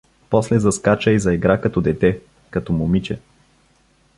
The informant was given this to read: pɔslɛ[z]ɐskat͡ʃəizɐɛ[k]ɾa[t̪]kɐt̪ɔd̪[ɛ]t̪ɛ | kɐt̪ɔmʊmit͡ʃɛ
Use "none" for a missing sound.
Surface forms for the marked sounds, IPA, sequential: z, ɡ, none, ɛ

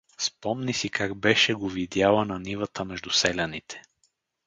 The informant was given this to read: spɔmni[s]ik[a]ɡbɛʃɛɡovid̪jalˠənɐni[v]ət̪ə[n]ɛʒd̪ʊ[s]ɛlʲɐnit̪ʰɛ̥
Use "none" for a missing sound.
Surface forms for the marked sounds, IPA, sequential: s, a, v, m, s

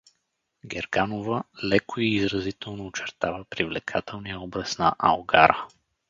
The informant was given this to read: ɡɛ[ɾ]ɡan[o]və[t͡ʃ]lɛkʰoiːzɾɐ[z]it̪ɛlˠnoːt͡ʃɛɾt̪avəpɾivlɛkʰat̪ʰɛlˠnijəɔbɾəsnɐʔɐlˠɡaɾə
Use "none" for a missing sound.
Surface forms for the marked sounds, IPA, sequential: ɾ, o, none, z

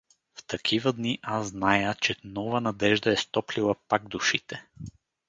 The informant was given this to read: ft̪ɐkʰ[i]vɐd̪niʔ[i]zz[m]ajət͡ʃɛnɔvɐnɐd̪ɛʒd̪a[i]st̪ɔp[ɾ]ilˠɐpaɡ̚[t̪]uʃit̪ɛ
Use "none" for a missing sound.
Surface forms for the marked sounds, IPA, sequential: i, a, n, ɛ, l, d̪

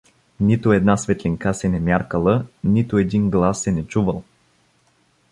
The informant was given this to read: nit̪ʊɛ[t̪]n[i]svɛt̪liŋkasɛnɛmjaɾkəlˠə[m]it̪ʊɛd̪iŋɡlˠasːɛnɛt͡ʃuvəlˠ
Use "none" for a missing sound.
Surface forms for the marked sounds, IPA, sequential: d̪, a, n

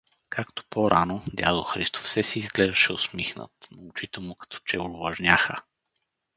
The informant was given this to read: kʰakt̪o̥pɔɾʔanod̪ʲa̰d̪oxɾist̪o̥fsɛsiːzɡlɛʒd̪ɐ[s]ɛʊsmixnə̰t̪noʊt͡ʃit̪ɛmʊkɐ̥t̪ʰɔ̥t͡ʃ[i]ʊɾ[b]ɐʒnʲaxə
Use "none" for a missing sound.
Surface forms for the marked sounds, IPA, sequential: ʃ, ɛ, v

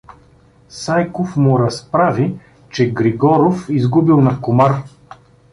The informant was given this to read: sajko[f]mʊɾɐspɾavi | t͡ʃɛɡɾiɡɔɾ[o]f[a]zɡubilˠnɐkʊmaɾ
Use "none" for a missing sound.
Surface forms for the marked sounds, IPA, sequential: f, o, i

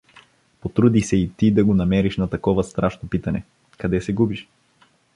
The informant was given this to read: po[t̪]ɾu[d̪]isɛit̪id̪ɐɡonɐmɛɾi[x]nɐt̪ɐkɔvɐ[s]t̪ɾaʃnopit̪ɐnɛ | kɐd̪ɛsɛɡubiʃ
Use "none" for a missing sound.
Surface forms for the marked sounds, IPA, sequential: t̪, d̪, ʃ, s

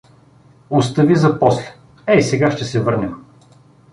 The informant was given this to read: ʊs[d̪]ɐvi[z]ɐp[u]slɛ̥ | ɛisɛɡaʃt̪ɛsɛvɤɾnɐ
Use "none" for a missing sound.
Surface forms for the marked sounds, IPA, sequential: t̪, z, ɔ

